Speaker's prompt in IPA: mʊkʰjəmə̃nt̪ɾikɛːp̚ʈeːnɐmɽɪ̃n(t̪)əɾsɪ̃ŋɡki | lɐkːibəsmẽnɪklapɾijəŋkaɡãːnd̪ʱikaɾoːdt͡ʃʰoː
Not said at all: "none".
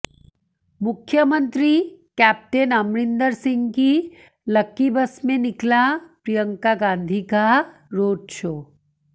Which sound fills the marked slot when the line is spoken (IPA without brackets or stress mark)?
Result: d̪